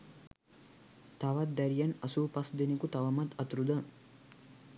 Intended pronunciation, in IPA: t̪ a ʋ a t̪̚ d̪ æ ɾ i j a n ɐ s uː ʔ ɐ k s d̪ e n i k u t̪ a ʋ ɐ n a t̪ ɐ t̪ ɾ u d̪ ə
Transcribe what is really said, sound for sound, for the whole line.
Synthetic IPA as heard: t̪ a ʋ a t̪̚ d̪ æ ɾ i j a n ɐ s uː p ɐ s d̪ e n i k u t̪ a ʋ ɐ m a t̪ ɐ t̪ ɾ u d̪ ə